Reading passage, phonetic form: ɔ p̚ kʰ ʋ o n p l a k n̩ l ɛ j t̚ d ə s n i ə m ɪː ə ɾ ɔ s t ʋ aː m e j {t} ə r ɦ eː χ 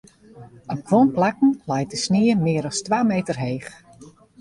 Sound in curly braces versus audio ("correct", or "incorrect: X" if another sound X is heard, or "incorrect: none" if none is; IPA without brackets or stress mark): correct